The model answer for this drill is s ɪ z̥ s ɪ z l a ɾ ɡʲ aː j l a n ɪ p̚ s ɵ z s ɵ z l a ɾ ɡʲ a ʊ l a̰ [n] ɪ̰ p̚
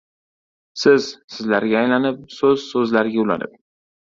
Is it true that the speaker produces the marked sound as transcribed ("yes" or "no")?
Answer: yes